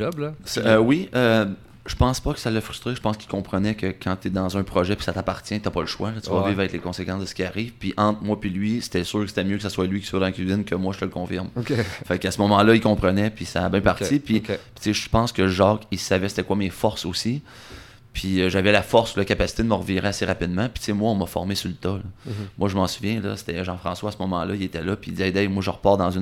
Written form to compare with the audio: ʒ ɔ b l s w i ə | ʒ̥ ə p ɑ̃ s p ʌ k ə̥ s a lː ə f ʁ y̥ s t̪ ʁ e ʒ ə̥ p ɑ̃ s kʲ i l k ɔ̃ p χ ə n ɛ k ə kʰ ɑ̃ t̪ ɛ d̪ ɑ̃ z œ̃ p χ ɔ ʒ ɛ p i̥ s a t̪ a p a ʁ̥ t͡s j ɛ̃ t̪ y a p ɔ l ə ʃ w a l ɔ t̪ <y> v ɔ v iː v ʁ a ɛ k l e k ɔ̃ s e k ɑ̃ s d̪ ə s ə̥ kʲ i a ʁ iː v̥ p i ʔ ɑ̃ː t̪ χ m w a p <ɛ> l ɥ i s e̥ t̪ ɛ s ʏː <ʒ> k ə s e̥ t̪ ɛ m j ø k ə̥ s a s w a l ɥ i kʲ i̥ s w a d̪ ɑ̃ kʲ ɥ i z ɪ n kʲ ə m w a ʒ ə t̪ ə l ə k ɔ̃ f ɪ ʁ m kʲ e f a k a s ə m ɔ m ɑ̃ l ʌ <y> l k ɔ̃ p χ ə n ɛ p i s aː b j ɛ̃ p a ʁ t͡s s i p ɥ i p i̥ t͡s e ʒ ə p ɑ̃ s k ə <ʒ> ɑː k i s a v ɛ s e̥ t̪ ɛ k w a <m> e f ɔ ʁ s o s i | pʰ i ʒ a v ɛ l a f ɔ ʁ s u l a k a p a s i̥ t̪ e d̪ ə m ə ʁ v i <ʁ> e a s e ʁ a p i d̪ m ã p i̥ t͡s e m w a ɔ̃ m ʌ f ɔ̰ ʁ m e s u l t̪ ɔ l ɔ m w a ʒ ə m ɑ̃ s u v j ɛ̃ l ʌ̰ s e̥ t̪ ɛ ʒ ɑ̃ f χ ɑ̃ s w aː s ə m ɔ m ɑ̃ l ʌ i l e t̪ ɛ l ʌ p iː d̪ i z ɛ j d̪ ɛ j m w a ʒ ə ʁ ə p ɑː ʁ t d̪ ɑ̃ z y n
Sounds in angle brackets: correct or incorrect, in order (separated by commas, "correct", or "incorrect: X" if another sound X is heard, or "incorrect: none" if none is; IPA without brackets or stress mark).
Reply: correct, incorrect: i, incorrect: ʁ, incorrect: i, correct, correct, correct